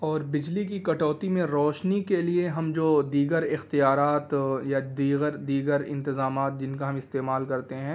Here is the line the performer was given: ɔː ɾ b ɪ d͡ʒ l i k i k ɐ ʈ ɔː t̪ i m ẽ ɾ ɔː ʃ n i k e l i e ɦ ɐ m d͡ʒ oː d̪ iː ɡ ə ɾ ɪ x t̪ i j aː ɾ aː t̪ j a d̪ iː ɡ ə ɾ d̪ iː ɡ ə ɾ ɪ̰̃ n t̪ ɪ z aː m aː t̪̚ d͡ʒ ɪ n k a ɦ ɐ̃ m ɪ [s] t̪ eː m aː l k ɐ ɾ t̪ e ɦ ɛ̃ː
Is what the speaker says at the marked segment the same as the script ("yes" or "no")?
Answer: yes